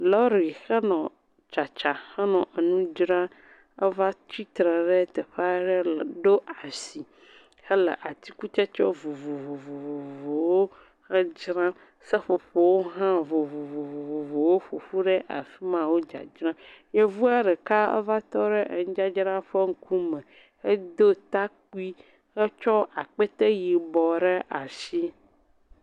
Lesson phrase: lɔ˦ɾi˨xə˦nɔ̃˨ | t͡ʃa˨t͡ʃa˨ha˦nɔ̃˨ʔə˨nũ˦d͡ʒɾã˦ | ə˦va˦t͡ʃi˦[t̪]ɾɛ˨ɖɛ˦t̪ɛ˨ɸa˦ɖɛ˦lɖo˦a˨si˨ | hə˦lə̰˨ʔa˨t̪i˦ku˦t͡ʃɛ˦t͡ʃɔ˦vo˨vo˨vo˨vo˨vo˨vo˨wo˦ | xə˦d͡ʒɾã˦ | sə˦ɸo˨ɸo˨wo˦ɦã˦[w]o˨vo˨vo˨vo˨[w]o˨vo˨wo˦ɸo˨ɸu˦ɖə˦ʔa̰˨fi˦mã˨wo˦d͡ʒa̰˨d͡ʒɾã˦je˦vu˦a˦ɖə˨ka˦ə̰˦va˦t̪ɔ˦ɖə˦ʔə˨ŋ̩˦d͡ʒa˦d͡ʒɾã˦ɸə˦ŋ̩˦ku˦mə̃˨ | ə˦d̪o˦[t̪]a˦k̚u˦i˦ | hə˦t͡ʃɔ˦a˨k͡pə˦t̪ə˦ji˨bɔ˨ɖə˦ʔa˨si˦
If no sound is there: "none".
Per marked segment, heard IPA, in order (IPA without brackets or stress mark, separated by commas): t̪, v, v, t̪